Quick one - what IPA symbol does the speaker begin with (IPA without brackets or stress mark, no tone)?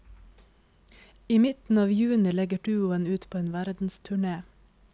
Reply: iː